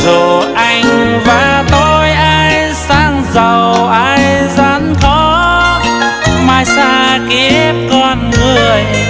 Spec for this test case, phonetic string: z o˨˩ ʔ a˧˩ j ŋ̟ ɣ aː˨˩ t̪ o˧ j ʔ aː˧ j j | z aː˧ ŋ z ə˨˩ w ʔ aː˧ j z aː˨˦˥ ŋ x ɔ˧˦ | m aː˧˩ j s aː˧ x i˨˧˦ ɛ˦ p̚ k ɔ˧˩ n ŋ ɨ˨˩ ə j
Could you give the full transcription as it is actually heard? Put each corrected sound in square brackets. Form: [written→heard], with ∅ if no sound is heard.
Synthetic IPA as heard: z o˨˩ ʔ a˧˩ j ŋ̟ [ɣ→v] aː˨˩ t̪ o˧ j ʔ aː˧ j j | [z→s] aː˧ ŋ z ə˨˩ w ʔ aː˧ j z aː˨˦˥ [ŋ→n] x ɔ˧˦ | m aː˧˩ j s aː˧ [x→k] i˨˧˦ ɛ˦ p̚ k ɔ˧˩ n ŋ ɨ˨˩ ə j